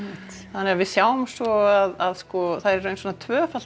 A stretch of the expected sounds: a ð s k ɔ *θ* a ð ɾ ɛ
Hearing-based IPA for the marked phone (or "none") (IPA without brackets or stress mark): θ